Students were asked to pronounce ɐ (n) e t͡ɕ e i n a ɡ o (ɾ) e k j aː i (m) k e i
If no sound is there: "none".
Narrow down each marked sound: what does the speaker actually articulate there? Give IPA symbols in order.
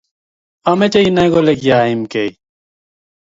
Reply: m, l, m

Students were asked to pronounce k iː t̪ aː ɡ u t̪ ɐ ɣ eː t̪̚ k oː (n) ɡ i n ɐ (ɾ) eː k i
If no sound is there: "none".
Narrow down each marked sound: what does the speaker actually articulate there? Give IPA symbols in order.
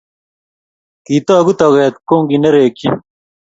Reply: ŋ, ɾ

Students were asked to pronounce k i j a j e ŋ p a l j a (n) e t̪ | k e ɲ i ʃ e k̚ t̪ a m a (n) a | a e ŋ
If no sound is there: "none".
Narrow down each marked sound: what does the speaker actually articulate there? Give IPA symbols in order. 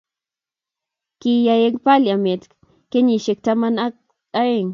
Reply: m, n

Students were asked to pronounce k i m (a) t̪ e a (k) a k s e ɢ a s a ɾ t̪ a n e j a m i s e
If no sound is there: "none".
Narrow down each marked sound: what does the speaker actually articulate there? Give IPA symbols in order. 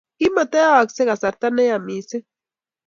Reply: a, none

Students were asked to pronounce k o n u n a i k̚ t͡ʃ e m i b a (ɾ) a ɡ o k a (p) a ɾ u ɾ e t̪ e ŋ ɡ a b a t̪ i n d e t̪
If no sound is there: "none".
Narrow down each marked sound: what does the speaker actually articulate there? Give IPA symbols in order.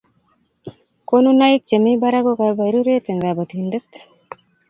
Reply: ɾ, b

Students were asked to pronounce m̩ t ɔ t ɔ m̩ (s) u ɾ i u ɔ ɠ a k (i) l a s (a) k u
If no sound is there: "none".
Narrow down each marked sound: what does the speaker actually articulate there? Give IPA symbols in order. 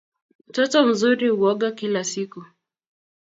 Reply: z, i, i

